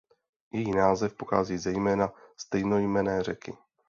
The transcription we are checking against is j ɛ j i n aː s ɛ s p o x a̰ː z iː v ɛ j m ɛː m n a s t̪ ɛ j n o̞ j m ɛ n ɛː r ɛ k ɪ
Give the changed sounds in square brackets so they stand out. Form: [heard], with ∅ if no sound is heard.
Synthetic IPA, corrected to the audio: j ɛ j i n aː [z] ɛ [f] p o x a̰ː z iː [z] ɛ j m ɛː [∅] n a s t̪ ɛ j n o̞ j m ɛ n ɛː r ɛ k ɪ